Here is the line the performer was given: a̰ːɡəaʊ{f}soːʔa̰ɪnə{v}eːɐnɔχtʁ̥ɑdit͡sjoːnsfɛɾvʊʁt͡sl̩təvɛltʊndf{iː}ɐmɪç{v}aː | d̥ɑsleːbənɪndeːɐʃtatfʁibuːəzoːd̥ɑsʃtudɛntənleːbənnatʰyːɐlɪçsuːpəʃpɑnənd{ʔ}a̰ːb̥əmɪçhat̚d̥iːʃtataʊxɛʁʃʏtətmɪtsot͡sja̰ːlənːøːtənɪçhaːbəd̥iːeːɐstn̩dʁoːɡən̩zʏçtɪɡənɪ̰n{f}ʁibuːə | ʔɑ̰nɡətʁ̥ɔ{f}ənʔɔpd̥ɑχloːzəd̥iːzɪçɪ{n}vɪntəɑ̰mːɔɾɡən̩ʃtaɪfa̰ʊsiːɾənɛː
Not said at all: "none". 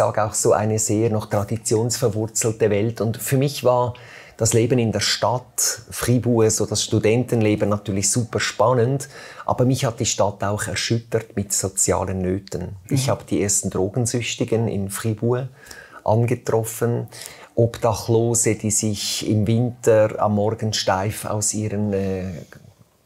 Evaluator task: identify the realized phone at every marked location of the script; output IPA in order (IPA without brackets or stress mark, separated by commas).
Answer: x, z, yː, v, ʔ, f, f, m